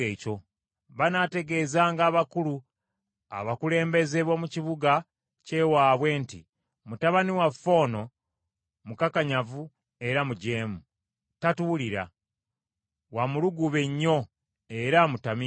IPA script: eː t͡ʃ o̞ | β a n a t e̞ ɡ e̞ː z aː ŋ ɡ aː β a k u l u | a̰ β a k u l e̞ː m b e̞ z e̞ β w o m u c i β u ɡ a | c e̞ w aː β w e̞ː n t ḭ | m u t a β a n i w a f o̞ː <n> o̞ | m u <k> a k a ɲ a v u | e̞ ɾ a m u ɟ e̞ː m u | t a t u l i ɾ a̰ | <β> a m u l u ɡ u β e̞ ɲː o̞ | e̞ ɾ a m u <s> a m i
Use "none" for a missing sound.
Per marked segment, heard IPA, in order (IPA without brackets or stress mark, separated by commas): n, k, w, t